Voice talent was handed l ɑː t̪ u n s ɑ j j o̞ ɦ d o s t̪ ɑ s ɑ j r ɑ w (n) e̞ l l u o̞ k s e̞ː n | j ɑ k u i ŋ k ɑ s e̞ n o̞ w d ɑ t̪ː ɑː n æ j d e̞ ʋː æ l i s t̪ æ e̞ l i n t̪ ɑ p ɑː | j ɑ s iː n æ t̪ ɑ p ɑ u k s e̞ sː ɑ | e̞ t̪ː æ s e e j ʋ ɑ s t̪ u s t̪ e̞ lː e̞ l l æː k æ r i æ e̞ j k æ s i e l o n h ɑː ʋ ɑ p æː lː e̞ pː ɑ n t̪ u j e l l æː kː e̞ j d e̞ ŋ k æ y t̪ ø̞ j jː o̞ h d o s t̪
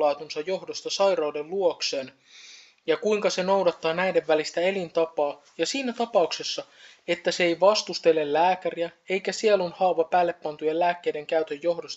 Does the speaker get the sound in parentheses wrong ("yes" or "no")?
yes